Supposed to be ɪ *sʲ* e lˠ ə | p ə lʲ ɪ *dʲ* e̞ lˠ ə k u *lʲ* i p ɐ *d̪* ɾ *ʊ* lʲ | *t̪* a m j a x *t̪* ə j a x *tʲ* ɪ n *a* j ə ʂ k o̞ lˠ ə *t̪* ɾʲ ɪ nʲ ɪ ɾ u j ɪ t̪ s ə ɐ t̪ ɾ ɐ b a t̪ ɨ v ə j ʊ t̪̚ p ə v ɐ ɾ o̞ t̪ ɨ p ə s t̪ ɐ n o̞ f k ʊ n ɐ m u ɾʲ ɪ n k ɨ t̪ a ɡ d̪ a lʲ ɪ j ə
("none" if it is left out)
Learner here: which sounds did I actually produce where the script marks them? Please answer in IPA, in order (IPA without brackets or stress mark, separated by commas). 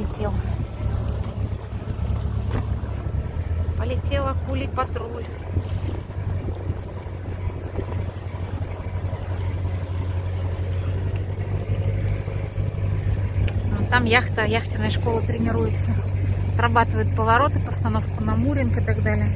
tʲ, tʲ, lʲ, t̪, u, t̪, t̪, tʲ, ə, t̪